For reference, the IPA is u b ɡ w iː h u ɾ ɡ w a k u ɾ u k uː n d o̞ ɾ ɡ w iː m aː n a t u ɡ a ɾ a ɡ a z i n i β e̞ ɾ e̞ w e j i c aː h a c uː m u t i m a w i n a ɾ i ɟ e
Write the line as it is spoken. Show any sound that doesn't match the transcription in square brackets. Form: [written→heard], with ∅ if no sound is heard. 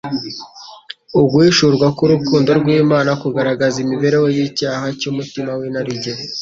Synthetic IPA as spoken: u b ɡ w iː [h→ʃ] u ɾ ɡ w a k u ɾ u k uː n d o̞ ɾ ɡ w iː m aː n a [t→k] u ɡ a ɾ a ɡ a z i [n→m] i β e̞ ɾ e̞ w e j i c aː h a c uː m u t i m a w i n a ɾ i ɟ e